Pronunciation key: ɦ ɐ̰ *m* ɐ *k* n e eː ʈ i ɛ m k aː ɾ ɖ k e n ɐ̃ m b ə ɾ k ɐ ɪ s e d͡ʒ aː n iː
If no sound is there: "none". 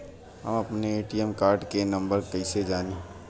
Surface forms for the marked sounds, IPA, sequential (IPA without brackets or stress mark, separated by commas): m, p